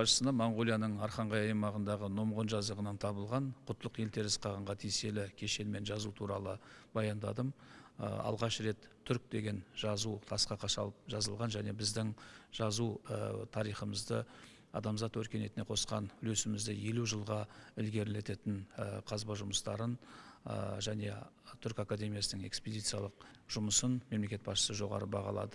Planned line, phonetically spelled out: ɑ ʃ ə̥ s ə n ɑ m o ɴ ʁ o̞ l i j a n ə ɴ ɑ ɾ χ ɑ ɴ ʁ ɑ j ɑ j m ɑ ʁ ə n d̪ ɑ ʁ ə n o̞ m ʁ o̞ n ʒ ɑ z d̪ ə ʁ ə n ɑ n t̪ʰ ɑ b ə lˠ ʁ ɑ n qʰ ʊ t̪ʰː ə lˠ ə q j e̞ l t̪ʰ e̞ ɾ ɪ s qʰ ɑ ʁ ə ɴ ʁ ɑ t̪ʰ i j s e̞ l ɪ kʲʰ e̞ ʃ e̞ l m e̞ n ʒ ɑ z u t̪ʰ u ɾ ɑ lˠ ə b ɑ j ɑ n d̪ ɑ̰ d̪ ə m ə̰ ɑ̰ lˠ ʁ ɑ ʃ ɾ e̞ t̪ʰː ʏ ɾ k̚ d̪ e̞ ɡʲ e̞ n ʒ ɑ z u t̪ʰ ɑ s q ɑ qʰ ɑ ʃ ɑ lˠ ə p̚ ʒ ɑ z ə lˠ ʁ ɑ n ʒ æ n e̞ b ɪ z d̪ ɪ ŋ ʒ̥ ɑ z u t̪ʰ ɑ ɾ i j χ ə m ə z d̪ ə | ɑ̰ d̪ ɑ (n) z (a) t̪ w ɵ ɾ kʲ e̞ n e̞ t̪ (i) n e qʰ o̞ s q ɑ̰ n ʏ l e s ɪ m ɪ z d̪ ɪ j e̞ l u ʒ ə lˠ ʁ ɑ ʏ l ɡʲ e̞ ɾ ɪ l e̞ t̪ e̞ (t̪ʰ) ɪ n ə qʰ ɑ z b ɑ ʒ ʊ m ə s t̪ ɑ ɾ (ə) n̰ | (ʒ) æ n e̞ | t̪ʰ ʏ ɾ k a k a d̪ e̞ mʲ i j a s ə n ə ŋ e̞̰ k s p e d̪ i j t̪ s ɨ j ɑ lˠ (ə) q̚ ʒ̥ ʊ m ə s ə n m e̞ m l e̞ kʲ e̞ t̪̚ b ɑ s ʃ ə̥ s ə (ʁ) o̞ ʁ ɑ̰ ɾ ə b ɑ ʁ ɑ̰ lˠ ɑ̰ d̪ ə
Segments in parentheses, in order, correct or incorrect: incorrect: m, incorrect: ɑ, incorrect: ɪ, incorrect: t̪, correct, correct, correct, incorrect: ʒ

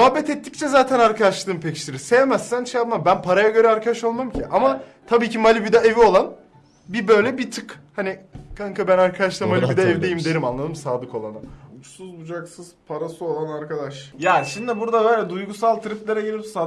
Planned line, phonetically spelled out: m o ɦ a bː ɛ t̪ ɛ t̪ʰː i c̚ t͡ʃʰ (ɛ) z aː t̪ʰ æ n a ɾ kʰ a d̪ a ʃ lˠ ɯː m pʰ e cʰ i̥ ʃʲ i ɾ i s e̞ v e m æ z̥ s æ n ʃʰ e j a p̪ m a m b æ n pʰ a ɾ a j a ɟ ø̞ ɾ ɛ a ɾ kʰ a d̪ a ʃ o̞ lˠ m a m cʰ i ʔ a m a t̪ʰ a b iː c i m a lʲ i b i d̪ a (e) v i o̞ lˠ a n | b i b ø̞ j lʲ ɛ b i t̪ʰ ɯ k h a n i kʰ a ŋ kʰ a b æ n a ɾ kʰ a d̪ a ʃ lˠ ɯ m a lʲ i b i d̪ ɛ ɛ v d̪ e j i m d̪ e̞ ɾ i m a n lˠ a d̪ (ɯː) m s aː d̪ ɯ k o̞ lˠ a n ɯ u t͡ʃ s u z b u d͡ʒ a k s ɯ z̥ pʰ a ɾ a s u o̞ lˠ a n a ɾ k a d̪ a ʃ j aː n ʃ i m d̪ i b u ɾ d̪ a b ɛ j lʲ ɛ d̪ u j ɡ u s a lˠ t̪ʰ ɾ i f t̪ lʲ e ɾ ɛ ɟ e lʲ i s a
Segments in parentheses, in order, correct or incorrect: correct, correct, incorrect: ɯ

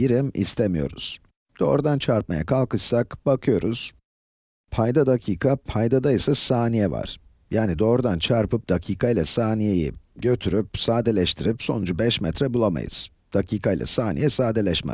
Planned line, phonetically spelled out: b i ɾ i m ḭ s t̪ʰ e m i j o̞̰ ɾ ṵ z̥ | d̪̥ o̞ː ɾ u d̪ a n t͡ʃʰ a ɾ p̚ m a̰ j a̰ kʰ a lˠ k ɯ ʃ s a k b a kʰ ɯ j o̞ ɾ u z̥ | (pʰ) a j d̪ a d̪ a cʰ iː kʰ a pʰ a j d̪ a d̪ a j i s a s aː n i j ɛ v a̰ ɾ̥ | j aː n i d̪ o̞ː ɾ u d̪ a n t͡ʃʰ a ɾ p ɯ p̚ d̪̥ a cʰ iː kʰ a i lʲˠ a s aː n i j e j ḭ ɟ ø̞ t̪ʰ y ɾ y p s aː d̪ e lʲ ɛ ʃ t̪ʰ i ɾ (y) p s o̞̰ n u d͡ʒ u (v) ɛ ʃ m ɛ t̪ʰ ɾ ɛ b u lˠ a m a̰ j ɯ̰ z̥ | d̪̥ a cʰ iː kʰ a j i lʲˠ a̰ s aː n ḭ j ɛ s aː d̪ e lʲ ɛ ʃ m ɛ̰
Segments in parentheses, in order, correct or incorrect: correct, incorrect: i, incorrect: b

